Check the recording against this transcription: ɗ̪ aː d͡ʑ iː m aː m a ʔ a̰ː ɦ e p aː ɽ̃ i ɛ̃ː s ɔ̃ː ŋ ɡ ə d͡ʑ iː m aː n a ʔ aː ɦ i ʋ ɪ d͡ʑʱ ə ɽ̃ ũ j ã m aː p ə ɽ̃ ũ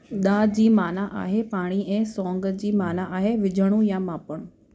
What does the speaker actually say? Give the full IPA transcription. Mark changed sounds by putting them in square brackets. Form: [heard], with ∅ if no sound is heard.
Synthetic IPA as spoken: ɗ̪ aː d͡ʑ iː m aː [n] a ʔ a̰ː ɦ e p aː ɽ̃ i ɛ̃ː s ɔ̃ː ŋ ɡ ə d͡ʑ iː m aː n a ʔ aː ɦ [e] ʋ ɪ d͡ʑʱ ə ɽ̃ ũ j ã m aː p ə ɽ̃ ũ

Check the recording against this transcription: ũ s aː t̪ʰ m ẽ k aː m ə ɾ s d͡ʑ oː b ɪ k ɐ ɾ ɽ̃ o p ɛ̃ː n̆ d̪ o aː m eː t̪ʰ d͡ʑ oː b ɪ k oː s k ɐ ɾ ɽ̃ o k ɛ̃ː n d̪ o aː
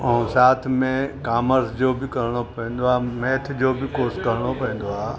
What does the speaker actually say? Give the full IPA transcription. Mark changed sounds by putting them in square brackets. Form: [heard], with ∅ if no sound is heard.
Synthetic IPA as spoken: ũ s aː t̪ʰ m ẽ k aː m ə ɾ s d͡ʑ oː b ɪ k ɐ ɾ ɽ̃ o p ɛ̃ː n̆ d̪ o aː m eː t̪ʰ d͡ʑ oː b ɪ k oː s k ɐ ɾ ɽ̃ o [p] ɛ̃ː n d̪ o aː

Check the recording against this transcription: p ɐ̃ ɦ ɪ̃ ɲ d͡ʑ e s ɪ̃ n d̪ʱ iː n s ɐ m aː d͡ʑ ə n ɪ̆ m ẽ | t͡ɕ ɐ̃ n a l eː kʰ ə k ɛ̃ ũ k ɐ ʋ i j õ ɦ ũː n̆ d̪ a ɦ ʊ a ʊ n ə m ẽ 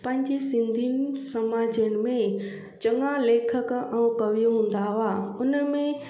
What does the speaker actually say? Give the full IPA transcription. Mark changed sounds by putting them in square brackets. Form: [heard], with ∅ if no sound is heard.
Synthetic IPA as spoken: p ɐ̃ ɦ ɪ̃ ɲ d͡ʑ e s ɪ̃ n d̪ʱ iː n s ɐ m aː d͡ʑ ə n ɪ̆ m ẽ | t͡ɕ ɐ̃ [ŋ] a l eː kʰ ə k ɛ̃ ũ k ɐ ʋ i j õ ɦ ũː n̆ d̪ a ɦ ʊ a ʊ n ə m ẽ

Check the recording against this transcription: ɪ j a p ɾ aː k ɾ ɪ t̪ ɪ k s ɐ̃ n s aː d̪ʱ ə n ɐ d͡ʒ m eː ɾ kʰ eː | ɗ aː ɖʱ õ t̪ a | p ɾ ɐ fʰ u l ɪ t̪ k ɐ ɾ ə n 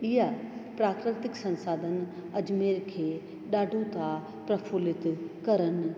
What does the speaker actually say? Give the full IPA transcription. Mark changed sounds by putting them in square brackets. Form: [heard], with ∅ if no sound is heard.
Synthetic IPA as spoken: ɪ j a p ɾ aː k ɾ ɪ t̪ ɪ k s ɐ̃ n s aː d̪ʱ ə n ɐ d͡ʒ m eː ɾ kʰ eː | ɗ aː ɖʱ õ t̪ a | p ɾ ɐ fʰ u l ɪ t̪ k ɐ ɾ ə n

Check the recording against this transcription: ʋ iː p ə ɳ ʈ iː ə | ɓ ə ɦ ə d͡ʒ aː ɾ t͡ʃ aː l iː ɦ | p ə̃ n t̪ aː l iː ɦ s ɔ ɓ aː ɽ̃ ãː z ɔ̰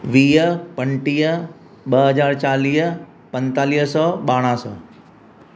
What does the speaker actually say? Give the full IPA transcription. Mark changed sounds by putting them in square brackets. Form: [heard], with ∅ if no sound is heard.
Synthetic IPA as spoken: ʋ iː p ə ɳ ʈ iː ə | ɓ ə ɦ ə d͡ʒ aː ɾ t͡ʃ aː l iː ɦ | p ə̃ n t̪ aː l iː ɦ s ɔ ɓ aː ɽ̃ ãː [s] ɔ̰

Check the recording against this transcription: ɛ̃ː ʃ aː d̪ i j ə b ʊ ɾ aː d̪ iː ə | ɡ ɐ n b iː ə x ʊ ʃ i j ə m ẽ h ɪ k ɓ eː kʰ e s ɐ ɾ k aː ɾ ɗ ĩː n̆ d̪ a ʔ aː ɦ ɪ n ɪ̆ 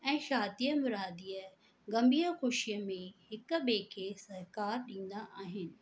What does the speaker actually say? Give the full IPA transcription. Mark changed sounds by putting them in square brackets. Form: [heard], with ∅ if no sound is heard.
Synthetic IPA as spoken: ɛ̃ː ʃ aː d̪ i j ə [m] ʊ ɾ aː d̪ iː ə | ɡ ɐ [m] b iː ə x ʊ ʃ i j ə m ẽ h ɪ k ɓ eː kʰ e s ɐ ɾ k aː ɾ ɗ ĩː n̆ d̪ a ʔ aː ɦ ɪ n ɪ̆

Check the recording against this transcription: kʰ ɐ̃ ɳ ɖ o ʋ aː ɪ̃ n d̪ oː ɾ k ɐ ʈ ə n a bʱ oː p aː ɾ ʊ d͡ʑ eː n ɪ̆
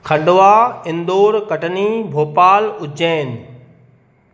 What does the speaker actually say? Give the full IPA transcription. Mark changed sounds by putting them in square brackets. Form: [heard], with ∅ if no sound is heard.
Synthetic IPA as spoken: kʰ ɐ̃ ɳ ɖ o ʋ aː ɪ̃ n d̪ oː ɾ k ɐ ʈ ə n [i] bʱ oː p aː [l] ʊ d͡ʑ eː n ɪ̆

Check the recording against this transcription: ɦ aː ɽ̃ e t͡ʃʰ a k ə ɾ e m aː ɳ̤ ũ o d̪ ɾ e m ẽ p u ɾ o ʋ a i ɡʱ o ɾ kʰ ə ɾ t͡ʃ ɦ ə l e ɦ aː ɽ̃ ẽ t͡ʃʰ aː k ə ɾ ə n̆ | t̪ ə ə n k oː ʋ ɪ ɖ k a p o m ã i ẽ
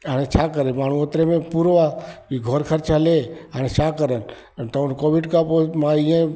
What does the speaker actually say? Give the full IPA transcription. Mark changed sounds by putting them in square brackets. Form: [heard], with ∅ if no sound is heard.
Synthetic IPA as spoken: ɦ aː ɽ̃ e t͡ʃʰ a k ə ɾ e m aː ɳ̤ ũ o [t̪] ɾ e m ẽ p u ɾ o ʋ a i ɡʱ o ɾ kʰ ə ɾ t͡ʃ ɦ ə l e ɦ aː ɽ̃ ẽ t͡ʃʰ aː k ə ɾ ə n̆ | t̪ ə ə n k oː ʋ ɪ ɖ k a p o m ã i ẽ

